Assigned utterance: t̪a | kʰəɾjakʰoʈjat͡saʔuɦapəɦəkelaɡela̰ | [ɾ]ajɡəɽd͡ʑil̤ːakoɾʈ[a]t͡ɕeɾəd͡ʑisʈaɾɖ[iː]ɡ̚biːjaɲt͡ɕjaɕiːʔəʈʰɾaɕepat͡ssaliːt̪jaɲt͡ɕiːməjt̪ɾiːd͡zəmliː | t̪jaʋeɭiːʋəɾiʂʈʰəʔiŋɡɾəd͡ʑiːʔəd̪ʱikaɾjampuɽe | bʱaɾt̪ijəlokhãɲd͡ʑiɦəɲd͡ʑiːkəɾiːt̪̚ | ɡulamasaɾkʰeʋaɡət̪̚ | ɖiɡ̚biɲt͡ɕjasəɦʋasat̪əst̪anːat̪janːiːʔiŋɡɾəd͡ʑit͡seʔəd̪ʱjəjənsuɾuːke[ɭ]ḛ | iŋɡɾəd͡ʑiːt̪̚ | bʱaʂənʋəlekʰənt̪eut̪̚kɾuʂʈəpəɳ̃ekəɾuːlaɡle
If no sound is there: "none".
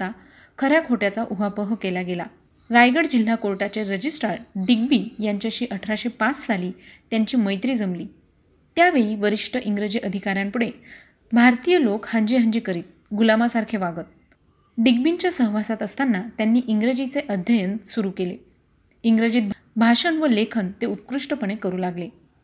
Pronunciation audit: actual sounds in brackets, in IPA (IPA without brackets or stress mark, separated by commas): ɾ, a, i, l